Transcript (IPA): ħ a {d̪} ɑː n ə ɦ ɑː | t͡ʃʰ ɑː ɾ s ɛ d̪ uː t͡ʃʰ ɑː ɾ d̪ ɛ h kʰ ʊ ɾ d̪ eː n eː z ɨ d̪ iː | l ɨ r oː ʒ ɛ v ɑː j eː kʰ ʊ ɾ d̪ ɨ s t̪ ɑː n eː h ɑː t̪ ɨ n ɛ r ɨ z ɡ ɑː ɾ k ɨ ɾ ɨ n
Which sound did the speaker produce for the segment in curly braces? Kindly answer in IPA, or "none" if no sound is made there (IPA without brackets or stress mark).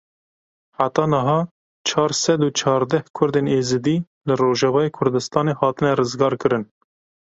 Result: t̪